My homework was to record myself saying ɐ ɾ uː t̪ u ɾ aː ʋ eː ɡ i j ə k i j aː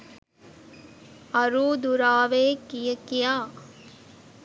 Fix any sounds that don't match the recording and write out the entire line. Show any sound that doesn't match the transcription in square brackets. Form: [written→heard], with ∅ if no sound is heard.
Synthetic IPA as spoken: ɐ ɾ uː [t̪→d̪] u ɾ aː ʋ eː [ɡ→k] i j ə k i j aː